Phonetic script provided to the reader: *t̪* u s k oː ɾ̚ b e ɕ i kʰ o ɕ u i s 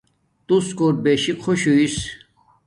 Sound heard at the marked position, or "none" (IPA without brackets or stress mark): t̪